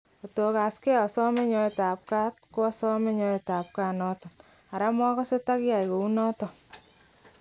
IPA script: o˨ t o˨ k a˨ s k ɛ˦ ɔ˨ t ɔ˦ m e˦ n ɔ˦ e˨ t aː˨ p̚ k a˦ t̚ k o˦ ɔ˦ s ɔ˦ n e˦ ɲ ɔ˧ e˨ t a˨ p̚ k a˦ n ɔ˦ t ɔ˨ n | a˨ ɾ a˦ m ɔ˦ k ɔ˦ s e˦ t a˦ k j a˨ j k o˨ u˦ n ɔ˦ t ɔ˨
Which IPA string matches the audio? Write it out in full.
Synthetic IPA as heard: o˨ t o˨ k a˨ s k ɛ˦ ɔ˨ s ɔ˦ m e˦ ɲ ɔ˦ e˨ t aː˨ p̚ k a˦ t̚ k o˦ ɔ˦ s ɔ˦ m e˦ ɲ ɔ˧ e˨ t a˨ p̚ k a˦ n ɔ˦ t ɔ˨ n | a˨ ɾ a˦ m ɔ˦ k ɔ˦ s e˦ t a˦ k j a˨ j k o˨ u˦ n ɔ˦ t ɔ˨